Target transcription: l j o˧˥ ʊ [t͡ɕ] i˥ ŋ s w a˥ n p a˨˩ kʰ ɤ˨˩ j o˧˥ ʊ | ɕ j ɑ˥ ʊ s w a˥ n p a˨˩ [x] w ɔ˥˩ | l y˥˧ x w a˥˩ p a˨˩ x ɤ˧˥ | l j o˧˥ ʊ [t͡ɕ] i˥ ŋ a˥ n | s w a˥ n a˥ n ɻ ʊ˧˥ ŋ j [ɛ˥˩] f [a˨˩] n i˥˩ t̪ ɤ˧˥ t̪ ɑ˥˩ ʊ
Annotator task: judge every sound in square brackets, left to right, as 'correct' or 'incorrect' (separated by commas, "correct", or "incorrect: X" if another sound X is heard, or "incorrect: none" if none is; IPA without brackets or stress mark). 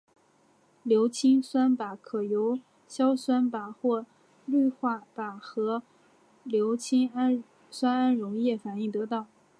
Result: incorrect: t͡ɕʰ, correct, incorrect: t͡ɕʰ, correct, correct